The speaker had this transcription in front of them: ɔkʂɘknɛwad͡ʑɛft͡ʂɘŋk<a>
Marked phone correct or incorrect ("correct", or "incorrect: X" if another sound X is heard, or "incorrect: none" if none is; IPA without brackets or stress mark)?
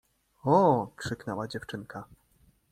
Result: correct